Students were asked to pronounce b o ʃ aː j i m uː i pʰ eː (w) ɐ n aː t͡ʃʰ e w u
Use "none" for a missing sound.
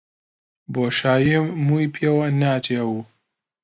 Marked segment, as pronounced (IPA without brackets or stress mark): w